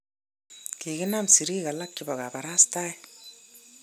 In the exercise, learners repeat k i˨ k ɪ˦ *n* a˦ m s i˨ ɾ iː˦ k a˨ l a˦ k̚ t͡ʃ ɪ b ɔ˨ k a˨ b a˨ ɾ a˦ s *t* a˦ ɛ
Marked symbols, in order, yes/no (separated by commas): yes, yes